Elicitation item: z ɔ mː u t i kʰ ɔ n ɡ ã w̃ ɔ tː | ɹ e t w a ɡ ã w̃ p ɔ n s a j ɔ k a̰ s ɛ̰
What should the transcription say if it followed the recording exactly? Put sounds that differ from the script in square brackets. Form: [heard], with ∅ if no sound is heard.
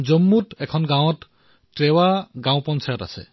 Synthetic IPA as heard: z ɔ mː u t [ɛ] kʰ ɔ n ɡ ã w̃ ɔ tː | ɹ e [∅] w a ɡ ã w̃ p ɔ n s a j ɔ [t] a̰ s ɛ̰